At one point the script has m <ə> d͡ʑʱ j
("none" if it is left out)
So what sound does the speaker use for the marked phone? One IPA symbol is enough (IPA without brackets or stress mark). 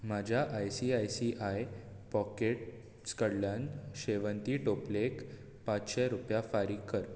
a